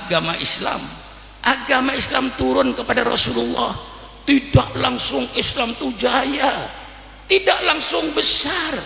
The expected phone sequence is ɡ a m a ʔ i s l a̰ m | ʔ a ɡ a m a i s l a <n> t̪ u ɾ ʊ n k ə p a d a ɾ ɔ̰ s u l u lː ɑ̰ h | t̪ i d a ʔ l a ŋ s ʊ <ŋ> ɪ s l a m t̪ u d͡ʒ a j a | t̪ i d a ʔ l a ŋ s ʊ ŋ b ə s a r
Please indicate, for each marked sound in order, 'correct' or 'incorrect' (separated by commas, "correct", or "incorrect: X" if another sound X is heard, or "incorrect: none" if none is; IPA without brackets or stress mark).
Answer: incorrect: m, correct